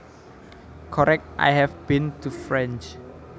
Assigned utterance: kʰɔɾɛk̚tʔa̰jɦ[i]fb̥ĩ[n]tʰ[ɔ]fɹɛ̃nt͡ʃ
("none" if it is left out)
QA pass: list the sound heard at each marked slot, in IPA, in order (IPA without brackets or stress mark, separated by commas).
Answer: ɛ, n, u